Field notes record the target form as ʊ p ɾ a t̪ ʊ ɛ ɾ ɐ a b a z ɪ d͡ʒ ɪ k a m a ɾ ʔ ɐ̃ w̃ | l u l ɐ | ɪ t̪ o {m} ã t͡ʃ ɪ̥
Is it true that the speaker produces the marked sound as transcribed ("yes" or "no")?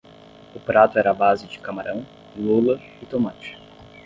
yes